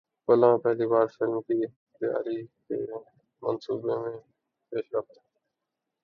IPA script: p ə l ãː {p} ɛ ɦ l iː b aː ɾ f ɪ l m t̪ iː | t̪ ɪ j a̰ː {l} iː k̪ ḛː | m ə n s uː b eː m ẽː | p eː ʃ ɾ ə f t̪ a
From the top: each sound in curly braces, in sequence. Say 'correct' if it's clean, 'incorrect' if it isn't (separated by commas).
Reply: correct, incorrect